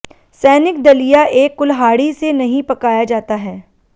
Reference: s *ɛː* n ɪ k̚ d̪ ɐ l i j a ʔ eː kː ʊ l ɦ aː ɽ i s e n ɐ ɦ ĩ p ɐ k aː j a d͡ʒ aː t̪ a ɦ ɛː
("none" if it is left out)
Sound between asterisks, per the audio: ɛː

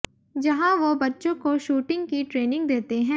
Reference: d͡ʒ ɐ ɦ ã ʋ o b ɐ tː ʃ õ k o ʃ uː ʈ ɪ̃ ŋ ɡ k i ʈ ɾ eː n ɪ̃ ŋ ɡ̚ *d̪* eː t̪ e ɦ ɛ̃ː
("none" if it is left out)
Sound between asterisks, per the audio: d̪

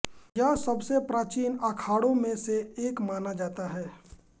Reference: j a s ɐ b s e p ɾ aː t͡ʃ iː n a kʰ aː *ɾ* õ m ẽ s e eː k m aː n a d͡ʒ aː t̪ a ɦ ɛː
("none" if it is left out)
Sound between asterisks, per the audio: ɽ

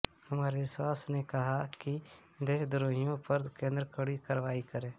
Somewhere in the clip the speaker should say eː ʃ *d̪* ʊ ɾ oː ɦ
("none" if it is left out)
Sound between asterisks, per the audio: d̪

